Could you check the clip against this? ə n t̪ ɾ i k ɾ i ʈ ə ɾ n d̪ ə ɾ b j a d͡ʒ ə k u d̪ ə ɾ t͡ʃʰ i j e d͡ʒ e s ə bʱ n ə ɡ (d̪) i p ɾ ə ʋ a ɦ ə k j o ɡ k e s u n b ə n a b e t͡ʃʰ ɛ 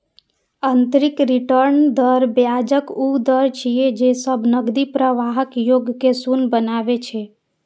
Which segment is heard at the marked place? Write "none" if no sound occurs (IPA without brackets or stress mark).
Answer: d̪